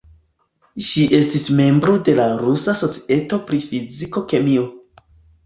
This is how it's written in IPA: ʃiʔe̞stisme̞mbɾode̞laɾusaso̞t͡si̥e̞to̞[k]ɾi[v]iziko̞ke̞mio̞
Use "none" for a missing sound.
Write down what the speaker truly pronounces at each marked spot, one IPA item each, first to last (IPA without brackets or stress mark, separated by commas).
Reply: p, f